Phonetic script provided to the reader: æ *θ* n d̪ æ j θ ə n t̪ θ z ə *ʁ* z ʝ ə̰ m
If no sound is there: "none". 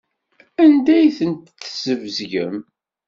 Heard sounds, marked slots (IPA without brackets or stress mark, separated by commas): none, v